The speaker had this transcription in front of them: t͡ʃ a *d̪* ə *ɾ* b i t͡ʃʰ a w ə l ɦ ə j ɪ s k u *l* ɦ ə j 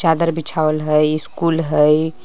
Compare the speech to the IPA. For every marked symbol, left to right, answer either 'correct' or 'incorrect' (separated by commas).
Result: correct, correct, correct